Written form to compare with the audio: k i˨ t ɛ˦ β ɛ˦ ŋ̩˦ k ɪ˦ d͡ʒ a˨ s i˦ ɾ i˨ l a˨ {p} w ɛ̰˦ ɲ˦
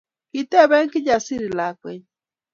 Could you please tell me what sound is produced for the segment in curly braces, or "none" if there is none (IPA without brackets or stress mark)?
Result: k